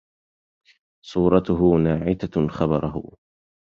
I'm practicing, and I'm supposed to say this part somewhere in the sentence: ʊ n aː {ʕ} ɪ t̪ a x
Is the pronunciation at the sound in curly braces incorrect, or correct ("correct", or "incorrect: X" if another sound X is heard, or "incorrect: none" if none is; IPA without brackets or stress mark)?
correct